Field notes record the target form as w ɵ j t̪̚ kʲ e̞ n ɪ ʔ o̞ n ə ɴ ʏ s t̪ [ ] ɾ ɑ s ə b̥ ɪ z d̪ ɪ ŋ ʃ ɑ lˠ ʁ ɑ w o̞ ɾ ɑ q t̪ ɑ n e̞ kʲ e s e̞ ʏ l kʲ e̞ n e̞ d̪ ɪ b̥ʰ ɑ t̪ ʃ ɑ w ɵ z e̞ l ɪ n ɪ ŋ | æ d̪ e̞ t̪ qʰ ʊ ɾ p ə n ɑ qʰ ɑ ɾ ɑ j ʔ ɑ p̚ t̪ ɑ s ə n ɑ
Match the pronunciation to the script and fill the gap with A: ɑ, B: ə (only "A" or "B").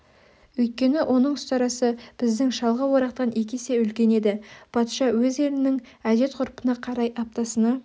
A